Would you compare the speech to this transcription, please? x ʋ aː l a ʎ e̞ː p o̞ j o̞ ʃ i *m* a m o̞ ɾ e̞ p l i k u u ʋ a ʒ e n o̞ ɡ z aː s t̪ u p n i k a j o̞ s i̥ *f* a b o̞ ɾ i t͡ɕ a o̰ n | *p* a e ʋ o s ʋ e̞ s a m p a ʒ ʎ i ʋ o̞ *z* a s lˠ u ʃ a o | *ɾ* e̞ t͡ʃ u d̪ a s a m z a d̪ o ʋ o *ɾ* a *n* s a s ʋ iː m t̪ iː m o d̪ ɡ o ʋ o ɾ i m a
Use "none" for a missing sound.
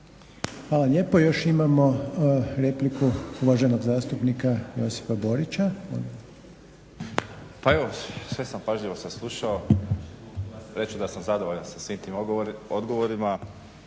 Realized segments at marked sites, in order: m, f, p, s, ɾ, ʎ, n

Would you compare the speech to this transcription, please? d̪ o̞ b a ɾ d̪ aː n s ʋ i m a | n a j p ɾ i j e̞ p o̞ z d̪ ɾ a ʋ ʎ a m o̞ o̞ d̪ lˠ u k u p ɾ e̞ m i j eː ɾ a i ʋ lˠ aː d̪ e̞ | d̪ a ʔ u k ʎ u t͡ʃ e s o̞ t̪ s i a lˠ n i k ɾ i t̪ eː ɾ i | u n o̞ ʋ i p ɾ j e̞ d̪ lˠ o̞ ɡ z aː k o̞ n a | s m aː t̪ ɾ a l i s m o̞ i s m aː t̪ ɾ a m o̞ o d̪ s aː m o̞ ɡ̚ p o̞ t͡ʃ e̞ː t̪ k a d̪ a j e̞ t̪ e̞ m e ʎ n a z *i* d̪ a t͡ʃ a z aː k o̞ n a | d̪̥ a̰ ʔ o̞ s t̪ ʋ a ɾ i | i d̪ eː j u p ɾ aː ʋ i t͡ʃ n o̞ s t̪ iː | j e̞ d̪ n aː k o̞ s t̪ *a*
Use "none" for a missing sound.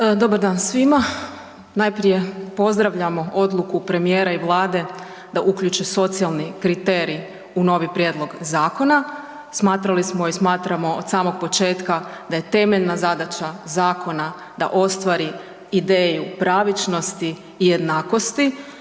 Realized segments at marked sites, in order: a, i

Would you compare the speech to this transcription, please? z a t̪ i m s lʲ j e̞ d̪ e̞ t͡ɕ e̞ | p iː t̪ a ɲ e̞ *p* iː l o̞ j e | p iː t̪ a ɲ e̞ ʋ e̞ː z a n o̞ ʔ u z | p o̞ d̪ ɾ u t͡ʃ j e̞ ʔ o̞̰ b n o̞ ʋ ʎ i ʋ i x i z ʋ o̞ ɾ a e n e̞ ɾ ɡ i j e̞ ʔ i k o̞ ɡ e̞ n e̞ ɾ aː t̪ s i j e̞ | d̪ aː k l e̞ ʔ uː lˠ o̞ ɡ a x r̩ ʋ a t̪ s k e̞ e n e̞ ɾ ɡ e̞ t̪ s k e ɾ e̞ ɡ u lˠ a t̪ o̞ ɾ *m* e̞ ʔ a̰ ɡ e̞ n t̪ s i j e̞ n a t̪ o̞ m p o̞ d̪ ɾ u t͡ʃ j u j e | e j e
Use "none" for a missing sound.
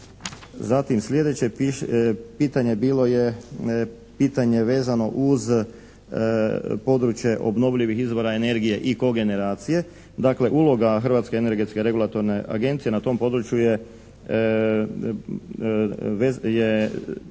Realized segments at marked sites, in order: b, n

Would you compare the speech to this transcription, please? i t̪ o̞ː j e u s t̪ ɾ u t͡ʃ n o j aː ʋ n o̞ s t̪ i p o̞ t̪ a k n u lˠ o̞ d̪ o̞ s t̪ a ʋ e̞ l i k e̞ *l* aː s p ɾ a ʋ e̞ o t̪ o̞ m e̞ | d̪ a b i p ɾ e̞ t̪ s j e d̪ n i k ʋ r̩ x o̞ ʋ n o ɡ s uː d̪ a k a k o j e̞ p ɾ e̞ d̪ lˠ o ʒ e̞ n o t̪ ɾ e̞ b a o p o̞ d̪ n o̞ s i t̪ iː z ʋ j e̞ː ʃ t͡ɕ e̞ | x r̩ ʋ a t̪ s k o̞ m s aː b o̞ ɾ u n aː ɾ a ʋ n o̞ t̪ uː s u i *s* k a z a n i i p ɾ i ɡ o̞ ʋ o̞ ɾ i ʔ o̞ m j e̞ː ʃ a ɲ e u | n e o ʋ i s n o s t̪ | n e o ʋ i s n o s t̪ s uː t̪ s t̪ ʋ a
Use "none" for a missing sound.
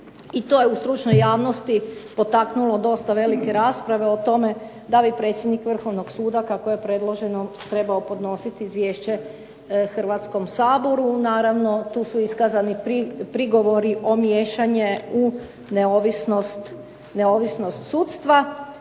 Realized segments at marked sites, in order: ɾ, s

